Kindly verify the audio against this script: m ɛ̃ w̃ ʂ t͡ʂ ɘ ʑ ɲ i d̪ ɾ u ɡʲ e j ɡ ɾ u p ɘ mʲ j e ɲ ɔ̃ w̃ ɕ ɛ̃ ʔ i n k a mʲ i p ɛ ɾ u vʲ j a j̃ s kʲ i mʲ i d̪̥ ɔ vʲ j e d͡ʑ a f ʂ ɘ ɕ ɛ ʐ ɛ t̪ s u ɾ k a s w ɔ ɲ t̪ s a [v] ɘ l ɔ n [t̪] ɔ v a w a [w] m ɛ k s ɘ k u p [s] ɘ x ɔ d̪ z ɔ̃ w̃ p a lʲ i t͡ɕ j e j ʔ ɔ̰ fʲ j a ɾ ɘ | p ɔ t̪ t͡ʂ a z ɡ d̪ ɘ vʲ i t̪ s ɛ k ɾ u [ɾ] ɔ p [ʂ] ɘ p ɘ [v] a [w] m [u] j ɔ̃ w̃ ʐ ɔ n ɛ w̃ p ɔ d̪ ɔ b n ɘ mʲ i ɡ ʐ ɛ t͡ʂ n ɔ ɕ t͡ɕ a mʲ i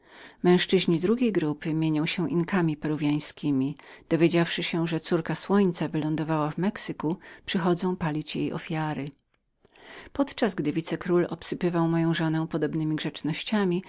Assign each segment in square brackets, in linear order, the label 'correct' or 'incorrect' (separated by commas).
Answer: correct, incorrect, incorrect, incorrect, incorrect, incorrect, correct, correct, incorrect